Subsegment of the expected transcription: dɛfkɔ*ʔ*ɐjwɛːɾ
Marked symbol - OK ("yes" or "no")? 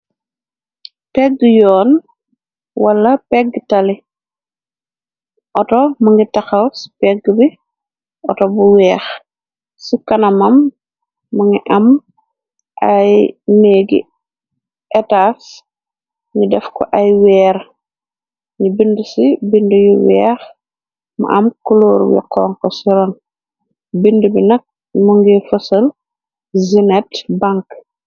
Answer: yes